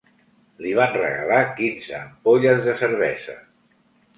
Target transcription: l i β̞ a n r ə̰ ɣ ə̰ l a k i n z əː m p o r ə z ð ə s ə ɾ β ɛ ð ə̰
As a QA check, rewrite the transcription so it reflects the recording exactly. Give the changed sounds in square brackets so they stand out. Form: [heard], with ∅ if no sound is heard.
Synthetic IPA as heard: l i β̞ a n r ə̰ ɣ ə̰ l a k i n z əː m p o [ʎ] ə z ð ə s ə ɾ β ɛ [z] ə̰